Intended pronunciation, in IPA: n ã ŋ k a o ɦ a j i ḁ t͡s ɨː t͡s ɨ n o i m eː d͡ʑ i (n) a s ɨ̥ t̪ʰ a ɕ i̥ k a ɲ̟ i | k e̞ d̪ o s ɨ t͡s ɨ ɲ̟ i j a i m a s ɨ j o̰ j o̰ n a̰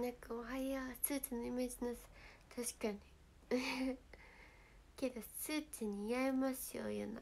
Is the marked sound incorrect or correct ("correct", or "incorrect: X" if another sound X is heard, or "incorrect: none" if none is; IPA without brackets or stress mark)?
correct